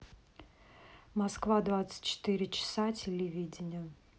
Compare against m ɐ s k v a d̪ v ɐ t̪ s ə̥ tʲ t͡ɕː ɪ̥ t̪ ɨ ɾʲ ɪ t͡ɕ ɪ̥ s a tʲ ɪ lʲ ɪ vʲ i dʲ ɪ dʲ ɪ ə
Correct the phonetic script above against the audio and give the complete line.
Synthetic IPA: m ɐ s k v a d̪ v a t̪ s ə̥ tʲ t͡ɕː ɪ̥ t̪ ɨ ɾʲ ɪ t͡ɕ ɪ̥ s a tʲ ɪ lʲ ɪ vʲ i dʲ ɪ nʲ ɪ ə